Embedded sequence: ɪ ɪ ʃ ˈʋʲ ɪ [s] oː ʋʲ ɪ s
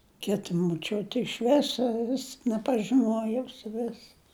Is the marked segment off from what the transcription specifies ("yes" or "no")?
no